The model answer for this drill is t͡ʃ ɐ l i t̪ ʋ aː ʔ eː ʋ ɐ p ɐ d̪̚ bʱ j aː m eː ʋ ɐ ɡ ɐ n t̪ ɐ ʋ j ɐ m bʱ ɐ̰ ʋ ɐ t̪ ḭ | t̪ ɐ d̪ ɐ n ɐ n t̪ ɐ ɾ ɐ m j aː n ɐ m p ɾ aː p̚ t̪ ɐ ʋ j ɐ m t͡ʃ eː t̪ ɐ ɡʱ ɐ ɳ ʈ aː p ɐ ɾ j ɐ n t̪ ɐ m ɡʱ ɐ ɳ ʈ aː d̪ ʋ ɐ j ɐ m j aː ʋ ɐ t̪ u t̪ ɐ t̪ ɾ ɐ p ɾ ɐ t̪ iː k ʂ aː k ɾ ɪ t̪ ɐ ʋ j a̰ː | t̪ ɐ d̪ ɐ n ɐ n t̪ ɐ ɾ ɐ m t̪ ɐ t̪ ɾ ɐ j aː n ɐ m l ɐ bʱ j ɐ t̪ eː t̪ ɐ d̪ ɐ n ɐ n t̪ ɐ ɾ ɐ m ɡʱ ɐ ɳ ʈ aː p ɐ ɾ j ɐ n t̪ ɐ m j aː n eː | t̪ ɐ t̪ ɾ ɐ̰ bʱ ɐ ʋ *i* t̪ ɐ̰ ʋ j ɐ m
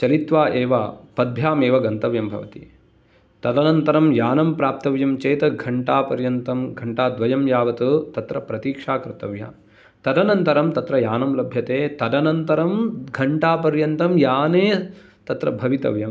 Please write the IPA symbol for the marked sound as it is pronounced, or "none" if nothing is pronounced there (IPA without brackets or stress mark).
i